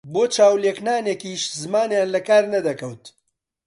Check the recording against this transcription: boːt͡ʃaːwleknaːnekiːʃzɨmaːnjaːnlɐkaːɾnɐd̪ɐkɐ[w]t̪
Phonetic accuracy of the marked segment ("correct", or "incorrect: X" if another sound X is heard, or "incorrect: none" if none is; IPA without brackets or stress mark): correct